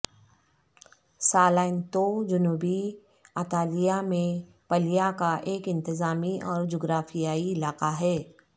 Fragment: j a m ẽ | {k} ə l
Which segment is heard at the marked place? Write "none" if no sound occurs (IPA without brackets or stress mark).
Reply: p